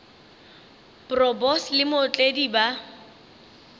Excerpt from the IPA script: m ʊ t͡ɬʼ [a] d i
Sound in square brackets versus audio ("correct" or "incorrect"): incorrect